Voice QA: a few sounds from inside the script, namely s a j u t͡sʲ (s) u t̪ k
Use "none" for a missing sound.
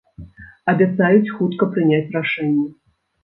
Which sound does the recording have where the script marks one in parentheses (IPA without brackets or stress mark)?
x